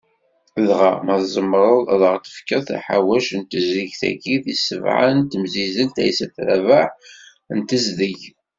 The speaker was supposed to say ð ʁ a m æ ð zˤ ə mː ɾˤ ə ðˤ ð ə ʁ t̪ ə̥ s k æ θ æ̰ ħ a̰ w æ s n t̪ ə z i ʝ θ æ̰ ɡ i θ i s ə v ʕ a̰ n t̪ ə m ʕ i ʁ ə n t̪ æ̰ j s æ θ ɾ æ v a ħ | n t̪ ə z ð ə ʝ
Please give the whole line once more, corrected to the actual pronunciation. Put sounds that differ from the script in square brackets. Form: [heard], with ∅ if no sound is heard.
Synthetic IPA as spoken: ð ʁ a m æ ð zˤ ə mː ɾˤ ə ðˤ ð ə ʁ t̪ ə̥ [f] k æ θ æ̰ ħ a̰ w æ [ʃ] n t̪ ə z i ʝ θ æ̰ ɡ i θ i s ə v ʕ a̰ n t̪ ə m [z] i [z] ə n t̪ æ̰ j s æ θ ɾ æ v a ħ | n t̪ ə z ð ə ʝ